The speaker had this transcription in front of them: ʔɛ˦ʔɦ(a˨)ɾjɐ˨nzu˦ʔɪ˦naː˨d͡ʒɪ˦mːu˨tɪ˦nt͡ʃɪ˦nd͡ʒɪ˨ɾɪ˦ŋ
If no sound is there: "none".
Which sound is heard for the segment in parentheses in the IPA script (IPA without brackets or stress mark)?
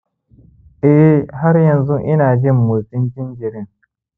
a˦